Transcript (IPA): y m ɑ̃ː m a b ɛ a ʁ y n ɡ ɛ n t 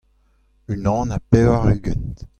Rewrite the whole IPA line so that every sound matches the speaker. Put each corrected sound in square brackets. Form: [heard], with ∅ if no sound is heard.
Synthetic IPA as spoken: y [n] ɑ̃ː [n] a [p] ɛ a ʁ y [∅] ɡ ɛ n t